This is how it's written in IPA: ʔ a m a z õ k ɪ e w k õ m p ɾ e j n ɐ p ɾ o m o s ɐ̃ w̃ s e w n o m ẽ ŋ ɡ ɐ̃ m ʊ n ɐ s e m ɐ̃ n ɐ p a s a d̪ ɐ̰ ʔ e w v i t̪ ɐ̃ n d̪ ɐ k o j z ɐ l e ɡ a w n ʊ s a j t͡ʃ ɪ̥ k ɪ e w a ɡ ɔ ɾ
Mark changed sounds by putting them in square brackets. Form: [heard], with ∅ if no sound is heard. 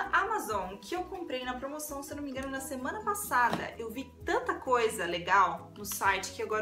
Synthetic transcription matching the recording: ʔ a m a z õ k ɪ e w k õ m p ɾ e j n ɐ p ɾ o m o s ɐ̃ w̃ s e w n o m [ĩ] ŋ ɡ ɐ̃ [n] ʊ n ɐ s e m ɐ̃ n ɐ p a s a d̪ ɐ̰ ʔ e w v i t̪ ɐ̃ n [t̪] ɐ k o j z ɐ l e ɡ a w n ʊ s a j t͡ʃ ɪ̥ k ɪ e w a ɡ ɔ ɾ